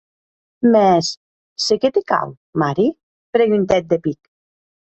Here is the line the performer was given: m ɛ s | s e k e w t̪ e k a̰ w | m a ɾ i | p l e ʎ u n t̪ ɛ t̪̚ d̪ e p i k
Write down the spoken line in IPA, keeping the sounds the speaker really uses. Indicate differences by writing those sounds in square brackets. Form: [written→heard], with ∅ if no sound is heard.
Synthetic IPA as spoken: m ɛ s | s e k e [w→∅] t̪ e k a̰ w | m a ɾ i | p [l→ɾ] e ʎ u n t̪ ɛ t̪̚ d̪ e p i k